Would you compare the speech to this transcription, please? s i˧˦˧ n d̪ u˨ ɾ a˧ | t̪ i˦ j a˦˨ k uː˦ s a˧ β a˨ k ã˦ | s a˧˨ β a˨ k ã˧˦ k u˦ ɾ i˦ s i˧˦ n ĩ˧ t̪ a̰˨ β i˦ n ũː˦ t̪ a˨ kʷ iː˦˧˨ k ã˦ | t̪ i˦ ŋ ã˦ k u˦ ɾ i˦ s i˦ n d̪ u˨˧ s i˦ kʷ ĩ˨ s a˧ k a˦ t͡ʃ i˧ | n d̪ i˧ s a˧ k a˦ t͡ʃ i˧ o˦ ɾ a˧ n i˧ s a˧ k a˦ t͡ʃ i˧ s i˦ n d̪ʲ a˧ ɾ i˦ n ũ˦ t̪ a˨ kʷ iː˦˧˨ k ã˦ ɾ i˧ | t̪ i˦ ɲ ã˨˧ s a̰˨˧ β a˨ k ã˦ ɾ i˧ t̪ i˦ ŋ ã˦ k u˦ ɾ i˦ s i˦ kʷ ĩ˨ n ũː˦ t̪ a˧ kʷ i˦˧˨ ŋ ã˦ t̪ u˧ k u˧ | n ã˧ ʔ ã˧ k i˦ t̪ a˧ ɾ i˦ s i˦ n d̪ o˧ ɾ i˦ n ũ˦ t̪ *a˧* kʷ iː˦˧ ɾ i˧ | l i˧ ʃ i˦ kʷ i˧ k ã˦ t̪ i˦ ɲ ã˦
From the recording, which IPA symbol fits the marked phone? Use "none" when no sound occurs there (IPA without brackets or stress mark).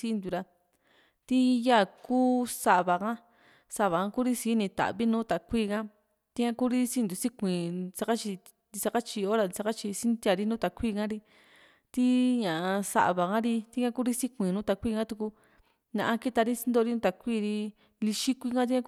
a˧